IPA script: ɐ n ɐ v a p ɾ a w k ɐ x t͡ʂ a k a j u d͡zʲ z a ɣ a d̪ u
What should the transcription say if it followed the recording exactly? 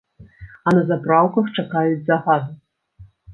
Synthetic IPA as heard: ɐ n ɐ z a p ɾ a w k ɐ x t͡ʂ a k a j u d͡zʲ z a ɣ a d̪ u